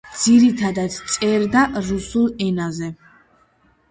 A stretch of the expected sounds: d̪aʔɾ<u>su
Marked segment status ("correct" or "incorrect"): correct